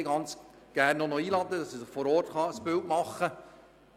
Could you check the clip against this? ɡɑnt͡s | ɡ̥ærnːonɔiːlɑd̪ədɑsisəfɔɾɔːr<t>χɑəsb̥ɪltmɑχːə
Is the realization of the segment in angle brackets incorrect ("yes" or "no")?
no